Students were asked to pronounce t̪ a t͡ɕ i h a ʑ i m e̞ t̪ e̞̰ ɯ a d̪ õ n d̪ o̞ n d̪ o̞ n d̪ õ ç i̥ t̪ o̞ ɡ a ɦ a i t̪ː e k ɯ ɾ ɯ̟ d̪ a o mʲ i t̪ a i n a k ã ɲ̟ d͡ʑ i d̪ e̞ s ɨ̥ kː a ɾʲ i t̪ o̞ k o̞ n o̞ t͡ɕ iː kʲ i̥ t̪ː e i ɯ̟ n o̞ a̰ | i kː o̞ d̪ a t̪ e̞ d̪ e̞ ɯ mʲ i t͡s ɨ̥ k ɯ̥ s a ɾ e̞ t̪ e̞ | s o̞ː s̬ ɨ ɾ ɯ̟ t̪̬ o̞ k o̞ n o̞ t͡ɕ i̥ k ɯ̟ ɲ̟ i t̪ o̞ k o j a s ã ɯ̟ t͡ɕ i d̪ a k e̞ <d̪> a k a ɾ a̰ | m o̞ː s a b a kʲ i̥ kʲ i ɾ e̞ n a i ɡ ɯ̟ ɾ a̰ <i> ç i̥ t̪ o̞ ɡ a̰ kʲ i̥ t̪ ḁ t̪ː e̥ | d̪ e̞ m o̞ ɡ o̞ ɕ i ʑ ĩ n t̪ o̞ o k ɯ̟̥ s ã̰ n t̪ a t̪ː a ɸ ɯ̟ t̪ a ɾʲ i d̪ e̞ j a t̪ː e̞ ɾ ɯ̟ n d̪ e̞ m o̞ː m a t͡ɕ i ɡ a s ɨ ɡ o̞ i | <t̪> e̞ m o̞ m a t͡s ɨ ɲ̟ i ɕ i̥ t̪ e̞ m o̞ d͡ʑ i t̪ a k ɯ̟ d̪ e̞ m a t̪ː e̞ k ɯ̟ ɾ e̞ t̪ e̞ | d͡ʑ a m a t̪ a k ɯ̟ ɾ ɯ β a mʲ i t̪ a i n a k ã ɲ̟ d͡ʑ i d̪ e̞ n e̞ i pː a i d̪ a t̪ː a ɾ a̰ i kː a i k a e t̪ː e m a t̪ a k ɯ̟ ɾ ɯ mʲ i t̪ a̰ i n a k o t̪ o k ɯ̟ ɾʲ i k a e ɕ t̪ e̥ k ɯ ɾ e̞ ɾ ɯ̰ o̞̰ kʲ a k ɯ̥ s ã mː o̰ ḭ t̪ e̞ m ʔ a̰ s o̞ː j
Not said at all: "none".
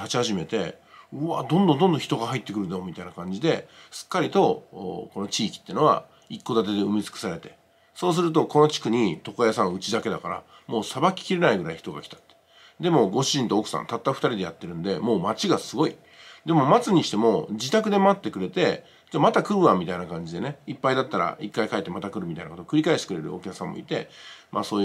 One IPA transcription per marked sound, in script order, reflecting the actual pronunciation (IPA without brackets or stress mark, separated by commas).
d̪, i, d̪